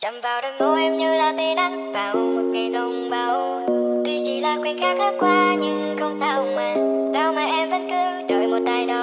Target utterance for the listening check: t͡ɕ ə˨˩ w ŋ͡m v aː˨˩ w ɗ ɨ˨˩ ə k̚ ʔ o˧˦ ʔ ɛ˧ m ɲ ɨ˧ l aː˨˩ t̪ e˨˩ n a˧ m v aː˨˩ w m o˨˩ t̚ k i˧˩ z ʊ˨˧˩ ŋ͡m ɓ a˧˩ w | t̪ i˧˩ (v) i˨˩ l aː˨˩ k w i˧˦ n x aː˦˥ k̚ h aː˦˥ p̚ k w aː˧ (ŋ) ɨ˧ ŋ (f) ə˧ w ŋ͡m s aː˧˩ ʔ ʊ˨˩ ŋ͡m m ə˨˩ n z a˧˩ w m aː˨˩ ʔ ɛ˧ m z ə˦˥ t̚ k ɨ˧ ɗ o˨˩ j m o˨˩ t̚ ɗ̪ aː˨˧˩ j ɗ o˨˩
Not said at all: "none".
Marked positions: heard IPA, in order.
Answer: z, ɲ, x

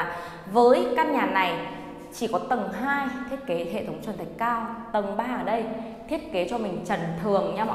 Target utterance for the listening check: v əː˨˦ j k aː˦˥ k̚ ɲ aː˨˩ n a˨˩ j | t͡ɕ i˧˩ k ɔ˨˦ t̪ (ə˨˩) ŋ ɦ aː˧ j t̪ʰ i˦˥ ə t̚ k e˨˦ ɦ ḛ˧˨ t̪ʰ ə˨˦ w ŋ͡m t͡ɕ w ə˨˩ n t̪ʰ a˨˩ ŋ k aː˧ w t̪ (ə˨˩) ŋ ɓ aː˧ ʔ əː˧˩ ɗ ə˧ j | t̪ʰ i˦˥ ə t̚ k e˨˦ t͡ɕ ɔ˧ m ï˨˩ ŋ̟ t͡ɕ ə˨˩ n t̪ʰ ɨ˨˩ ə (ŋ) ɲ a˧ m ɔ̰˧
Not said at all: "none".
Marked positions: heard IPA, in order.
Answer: ə˨˩, ə˨˩, ŋ

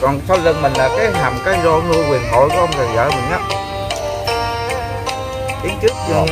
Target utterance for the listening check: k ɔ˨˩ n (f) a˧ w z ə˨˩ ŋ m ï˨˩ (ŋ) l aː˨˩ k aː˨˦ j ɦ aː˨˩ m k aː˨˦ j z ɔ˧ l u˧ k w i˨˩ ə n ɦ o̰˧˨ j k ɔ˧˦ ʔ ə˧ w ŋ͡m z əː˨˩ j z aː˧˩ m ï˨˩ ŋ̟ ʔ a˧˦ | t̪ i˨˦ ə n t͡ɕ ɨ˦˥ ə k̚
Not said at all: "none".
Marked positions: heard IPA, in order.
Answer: s, ŋ

